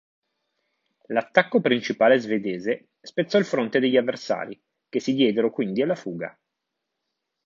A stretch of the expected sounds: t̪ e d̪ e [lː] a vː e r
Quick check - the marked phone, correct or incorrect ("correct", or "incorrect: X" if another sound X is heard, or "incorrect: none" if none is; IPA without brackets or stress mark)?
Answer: incorrect: ʎː